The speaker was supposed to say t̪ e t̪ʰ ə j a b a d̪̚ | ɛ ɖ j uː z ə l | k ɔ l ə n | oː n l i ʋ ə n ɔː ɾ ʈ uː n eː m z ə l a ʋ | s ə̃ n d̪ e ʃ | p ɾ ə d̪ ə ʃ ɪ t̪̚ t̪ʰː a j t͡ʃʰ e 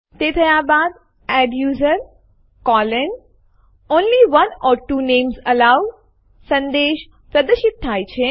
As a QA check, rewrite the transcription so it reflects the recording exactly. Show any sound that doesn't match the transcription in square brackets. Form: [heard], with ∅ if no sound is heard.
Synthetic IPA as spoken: t̪ e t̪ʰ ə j a b a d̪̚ | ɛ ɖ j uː z ə [ɾ] | k ɔ l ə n | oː n l i ʋ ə n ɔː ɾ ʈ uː n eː m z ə l a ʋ | s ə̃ n d̪ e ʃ | p ɾ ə d̪ ə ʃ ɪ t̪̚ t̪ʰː a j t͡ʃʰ e